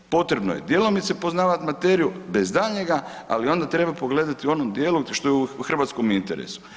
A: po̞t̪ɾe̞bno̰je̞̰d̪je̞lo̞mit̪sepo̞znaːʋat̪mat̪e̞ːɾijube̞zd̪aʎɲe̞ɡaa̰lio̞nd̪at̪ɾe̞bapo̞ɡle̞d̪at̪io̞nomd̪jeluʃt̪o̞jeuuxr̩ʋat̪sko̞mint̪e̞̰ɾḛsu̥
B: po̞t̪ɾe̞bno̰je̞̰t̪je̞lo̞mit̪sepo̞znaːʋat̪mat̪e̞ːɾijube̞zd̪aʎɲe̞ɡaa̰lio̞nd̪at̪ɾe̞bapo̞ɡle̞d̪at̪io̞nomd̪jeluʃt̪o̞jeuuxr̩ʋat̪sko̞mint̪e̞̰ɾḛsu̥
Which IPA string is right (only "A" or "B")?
A